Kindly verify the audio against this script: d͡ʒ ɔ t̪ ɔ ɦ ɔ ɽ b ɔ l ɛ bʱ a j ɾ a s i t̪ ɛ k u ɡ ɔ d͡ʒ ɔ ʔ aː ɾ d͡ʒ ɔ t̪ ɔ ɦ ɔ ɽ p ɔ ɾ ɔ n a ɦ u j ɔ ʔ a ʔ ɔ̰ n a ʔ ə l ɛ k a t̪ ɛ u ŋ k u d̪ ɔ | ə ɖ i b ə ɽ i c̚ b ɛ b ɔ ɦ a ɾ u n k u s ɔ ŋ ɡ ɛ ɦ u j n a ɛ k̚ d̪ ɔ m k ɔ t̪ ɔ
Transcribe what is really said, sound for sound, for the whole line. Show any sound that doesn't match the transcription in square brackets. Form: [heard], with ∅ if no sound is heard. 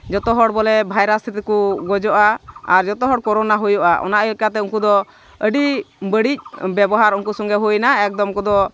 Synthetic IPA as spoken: d͡ʒ ɔ t̪ ɔ ɦ ɔ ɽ b ɔ l ɛ bʱ a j ɾ a s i t̪ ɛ k u ɡ ɔ d͡ʒ ɔ ʔ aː ɾ d͡ʒ ɔ t̪ ɔ ɦ ɔ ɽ [k] ɔ ɾ ɔ n a ɦ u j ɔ ʔ a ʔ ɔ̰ n a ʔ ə l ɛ k a t̪ ɛ u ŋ k u d̪ ɔ | ə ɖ i b ə ɽ i c̚ b ɛ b ɔ ɦ a ɾ u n k u s ɔ ŋ ɡ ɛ ɦ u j n a ɛ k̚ d̪ ɔ m k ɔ [d̪] ɔ